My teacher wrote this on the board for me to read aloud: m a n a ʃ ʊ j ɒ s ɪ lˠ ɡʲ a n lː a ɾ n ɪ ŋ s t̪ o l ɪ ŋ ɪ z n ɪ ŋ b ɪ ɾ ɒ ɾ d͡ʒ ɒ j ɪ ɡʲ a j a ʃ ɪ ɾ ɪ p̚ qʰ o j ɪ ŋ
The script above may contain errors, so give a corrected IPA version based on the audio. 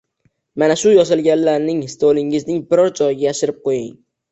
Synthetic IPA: m a n a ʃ ʊ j ɒ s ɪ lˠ ɡʲ a n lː a ɾ n ɪ ŋ s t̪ o l ɪ ŋ ɪ z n ɪ ŋ b ɪ ɾ ɒ ɾ d͡ʒ ɒ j ɪ ɡʲ a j a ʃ ɪ ɾ ɪ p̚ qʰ o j ɪ ŋ